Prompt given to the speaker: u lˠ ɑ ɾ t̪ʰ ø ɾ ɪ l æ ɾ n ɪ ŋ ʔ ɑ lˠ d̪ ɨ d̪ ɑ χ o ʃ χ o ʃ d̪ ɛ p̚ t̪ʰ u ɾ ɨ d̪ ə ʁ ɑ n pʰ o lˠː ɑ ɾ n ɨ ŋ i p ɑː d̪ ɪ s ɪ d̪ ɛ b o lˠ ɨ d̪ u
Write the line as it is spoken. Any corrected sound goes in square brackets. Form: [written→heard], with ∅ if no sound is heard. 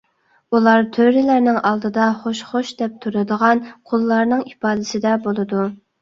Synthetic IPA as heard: u lˠ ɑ ɾ t̪ʰ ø ɾ ɪ l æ ɾ n ɪ ŋ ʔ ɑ lˠ d̪ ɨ d̪ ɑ χ o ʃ χ o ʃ d̪ ɛ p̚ t̪ʰ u ɾ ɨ d̪ ə ʁ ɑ n [pʰ→qʰ] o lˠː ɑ ɾ n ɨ ŋ i p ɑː d̪ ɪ s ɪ d̪ ɛ b o lˠ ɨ d̪ u

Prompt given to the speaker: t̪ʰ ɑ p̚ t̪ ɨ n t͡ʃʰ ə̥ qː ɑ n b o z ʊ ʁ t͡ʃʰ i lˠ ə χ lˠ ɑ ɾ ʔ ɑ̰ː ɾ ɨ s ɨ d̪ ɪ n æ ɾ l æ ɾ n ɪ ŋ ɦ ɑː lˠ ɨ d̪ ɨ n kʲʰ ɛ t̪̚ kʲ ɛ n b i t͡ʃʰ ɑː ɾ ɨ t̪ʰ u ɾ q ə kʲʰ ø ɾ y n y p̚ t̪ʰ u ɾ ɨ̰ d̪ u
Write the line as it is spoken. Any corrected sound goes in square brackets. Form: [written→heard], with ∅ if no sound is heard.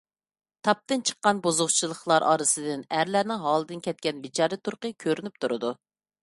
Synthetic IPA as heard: t̪ʰ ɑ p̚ t̪ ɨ n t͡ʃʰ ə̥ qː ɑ n b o z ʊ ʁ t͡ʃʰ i lˠ ə χ lˠ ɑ ɾ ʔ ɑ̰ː ɾ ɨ s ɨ d̪ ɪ n æ ɾ l æ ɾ n ɪ ŋ ɦ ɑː lˠ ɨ d̪ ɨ n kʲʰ ɛ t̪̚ kʲ ɛ n b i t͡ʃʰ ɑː ɾ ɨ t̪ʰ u ɾ q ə kʲʰ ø ɾ y n y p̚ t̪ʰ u ɾ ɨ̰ d̪ u

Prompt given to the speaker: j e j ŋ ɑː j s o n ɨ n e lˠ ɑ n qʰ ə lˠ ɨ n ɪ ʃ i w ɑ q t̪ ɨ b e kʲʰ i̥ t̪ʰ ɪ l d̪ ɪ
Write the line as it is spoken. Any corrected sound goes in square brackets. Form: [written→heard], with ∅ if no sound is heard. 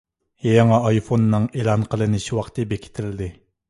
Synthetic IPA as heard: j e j ŋ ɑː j [s→f] o [n→nː] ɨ [n→ŋ] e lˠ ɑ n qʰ ə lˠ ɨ n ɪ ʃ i w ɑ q t̪ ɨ b e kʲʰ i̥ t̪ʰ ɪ l d̪ ɪ

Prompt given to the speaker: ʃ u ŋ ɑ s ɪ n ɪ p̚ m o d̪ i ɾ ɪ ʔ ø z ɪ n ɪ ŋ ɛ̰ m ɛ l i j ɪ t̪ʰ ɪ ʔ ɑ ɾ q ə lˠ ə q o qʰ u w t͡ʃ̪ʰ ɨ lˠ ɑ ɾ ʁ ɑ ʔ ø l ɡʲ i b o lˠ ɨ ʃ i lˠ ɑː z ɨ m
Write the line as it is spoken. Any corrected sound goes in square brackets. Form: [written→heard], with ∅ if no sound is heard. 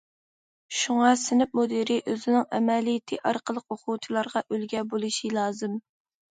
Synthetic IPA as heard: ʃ u ŋ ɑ s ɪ n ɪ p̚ m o d̪ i ɾ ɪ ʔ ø z ɪ n ɪ ŋ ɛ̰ m ɛ l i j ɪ t̪ʰ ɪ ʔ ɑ ɾ q ə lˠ ə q o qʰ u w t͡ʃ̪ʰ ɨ lˠ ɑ ɾ ʁ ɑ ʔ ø l ɡʲ [i→ɛ] b o lˠ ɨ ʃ i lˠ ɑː z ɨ m

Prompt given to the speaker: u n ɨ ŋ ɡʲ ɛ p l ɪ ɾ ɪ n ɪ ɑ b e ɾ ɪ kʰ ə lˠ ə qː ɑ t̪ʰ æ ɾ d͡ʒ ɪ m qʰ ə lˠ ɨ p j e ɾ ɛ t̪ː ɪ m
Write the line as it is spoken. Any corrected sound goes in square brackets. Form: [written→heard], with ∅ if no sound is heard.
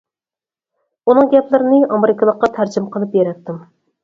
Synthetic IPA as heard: u n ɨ ŋ ɡʲ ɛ p l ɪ ɾ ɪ n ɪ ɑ [b→m] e ɾ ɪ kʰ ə lˠ ə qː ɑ t̪ʰ æ ɾ d͡ʒ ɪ m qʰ ə lˠ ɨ p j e ɾ ɛ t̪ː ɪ m

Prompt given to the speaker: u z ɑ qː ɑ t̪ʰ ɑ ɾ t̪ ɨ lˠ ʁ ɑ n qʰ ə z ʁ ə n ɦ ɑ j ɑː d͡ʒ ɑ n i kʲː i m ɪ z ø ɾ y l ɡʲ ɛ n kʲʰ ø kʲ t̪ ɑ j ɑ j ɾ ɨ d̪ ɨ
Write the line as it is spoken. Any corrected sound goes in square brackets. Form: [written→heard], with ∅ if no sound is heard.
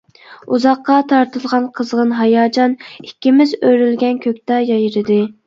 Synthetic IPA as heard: u z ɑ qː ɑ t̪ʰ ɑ ɾ t̪ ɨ lˠ ʁ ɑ n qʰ ə z ʁ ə n ɦ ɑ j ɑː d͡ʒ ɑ n i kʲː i m ɪ z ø ɾ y l ɡʲ ɛ n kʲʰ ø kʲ t̪ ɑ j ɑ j ɾ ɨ d̪ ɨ

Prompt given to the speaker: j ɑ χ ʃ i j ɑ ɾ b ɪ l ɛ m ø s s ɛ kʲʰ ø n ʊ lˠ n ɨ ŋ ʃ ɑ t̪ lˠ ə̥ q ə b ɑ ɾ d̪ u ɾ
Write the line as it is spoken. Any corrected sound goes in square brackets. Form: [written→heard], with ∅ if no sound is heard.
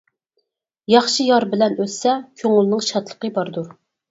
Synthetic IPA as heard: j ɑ χ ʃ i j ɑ ɾ b ɪ l ɛ [m→n] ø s s ɛ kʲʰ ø [n→ŋ] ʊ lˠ n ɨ ŋ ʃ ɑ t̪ lˠ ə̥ q ə b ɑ ɾ d̪ u ɾ

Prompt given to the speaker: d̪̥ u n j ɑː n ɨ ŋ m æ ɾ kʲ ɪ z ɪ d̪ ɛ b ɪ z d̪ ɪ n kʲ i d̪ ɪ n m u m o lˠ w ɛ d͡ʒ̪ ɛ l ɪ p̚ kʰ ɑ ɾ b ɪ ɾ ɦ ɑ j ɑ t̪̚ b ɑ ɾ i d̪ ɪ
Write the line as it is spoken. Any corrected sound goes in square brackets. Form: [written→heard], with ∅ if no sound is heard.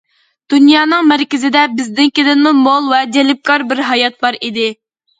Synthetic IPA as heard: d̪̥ u n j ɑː n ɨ ŋ m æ ɾ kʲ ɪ z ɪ d̪ ɛ b ɪ z d̪ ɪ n kʲ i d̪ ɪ n m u m o lˠ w ɛ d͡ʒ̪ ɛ l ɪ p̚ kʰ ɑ ɾ b ɪ ɾ ɦ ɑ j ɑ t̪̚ b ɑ ɾ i d̪ ɪ

